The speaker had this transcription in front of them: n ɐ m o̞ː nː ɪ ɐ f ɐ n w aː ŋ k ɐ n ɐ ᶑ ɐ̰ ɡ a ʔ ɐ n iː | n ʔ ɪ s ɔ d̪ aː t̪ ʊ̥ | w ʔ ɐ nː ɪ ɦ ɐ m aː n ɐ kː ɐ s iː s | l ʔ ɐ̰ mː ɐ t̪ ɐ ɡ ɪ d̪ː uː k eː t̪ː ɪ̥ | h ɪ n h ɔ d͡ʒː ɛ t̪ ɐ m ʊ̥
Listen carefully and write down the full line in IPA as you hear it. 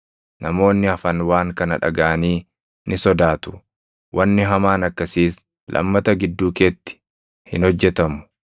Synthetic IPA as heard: n ɐ m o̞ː nː ɪ ɐ f ɐ n w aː ŋ k ɐ n ɐ ᶑ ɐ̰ ɡ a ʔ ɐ n iː | n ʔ ɪ s ɔ d̪ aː t̪ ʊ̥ | w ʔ ɐ nː ɪ ɦ ɐ m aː n ɐ kː ɐ s iː s | l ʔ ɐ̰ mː ɐ t̪ ɐ ɡ ɪ d̪ː uː k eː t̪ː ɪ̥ | h ɪ n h ɔ d͡ʒː ɛ t̪ ɐ m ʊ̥